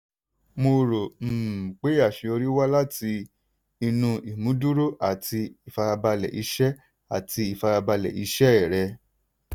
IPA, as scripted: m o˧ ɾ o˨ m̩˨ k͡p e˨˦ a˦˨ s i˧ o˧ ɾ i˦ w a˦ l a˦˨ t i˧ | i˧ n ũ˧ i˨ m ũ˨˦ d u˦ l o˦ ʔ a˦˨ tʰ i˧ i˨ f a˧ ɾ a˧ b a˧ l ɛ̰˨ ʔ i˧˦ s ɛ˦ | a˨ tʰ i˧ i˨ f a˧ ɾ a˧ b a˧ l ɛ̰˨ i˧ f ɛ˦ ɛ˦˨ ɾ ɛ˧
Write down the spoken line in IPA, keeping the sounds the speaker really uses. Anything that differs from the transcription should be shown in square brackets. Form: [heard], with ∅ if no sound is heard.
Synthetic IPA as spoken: m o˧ ɾ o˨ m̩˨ k͡p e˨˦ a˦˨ [ʃ] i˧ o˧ ɾ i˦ w a˦ l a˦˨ t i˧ | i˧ n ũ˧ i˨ m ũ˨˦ d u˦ [ɾ] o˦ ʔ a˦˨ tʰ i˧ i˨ f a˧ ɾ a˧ b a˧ l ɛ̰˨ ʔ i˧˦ [ʃ] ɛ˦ | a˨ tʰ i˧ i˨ f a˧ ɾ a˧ b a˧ l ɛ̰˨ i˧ [ʃ] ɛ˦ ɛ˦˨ ɾ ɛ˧